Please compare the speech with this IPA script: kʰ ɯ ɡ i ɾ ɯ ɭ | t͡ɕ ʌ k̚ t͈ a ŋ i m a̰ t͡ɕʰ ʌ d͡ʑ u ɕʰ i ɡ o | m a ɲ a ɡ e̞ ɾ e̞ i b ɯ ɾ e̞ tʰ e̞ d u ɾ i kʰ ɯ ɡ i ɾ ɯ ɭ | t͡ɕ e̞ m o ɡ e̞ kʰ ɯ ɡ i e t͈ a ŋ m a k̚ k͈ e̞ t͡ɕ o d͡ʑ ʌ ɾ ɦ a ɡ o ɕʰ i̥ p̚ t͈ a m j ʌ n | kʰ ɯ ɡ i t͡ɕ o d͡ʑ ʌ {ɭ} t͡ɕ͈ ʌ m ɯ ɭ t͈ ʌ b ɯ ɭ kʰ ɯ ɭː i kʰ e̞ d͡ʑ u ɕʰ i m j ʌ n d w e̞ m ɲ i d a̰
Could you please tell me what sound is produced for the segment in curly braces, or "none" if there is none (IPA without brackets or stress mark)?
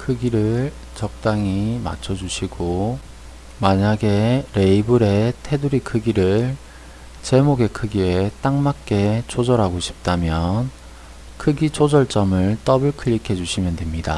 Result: ɭ